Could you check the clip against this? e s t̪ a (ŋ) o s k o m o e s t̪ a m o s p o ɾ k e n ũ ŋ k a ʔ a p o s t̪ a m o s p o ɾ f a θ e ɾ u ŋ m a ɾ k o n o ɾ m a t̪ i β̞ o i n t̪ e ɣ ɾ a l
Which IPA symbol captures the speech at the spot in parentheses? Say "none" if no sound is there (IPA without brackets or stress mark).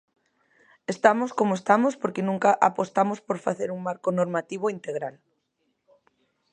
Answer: m